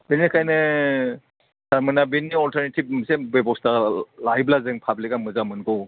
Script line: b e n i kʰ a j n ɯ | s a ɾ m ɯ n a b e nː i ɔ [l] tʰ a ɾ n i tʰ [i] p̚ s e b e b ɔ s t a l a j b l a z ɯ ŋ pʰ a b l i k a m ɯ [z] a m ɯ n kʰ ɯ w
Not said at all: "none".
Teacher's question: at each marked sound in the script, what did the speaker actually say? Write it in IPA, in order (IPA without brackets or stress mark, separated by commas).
l, i, z